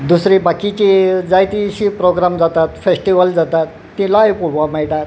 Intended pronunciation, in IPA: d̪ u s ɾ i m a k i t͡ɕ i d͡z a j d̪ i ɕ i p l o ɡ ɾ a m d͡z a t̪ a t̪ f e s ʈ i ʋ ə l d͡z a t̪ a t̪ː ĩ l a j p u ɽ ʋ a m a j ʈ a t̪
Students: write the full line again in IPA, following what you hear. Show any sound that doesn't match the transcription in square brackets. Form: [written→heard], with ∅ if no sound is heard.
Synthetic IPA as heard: d̪ u s ɾ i [m→b] a k i t͡ɕ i d͡z a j [d̪→t̪] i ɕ i p [l→ɾ] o ɡ ɾ a m d͡z a t̪ a t̪ f e s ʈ i ʋ ə l d͡z a t̪ a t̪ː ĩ l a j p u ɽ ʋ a m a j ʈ a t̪